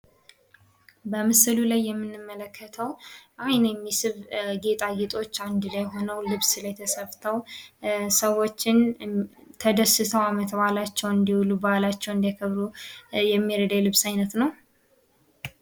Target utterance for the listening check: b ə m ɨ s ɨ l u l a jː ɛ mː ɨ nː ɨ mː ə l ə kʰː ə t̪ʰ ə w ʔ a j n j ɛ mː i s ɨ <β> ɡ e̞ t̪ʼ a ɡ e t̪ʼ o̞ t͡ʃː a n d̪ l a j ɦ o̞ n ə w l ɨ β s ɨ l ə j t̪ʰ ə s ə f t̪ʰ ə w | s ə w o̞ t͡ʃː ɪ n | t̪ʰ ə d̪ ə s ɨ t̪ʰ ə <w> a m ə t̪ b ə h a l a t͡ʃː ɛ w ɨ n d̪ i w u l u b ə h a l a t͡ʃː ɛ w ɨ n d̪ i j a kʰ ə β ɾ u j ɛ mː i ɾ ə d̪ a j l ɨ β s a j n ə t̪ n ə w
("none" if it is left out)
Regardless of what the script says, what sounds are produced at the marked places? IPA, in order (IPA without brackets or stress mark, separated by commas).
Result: β, w